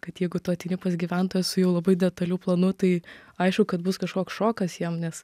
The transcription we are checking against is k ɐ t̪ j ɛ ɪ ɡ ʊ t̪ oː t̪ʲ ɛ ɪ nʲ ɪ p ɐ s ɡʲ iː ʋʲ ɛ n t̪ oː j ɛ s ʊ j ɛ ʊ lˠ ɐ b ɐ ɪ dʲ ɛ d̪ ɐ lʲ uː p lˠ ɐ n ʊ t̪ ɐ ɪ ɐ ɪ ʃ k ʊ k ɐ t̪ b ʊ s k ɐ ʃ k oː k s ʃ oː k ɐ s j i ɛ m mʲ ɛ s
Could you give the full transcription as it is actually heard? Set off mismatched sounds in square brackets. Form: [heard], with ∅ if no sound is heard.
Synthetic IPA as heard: k ɐ t̪ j ɛ ɪ ɡ ʊ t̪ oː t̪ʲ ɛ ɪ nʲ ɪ p ɐ s ɡʲ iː ʋʲ ɛ n t̪ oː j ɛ s ʊ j ɛ ʊ lˠ ɐ b ɐ ɪ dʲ ɛ [t̪] ɐ lʲ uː p lˠ ɐ n ʊ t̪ ɐ ɪ ɐ ɪ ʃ k ʊ k ɐ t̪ b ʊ s k ɐ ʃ k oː k s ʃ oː k ɐ s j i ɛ m [nʲ] ɛ s